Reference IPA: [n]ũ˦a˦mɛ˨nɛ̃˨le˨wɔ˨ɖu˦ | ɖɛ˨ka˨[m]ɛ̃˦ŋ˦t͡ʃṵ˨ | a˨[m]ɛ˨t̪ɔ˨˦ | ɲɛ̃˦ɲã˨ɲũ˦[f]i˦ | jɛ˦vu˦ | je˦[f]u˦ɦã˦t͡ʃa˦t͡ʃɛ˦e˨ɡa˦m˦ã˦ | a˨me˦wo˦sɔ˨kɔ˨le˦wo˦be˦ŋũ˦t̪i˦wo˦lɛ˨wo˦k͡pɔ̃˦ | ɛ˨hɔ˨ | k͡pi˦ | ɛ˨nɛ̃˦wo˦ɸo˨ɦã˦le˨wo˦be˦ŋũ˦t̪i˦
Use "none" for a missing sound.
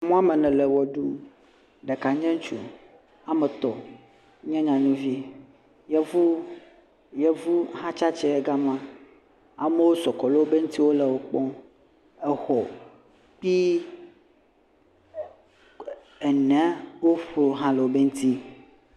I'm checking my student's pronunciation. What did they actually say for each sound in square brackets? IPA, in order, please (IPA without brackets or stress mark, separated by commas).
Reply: m, ɲ, m, v, v